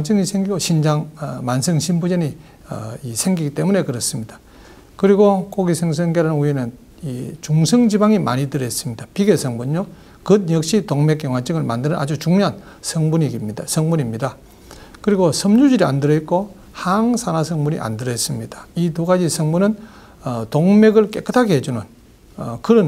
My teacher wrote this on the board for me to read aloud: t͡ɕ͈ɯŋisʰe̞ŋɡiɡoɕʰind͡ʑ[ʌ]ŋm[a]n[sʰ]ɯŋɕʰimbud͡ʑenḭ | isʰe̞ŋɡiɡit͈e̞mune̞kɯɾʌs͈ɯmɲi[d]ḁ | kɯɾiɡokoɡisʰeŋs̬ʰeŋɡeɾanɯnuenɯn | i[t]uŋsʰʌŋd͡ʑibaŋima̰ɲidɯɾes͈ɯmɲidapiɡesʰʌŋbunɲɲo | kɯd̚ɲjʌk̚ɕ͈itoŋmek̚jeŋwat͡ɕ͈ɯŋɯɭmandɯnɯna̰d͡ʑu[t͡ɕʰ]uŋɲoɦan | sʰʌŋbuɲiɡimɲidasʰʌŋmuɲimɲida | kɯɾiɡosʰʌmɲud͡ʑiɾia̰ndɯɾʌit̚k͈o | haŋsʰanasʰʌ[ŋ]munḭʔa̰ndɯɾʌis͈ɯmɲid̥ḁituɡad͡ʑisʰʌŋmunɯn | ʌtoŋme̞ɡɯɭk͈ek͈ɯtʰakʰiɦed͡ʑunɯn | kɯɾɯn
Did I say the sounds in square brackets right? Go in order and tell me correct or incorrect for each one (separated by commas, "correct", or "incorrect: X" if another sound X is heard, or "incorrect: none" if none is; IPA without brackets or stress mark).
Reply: incorrect: a, correct, correct, correct, incorrect: t͡ɕ, incorrect: t͡ɕ, correct